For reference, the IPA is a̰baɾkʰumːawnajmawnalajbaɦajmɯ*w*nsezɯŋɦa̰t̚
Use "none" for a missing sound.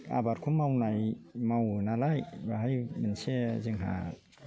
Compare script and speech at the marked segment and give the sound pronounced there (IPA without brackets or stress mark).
none